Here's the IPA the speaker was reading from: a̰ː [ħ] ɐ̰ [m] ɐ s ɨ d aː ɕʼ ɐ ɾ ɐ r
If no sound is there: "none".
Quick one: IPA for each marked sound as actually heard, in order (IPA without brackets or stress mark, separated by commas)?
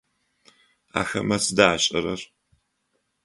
x, m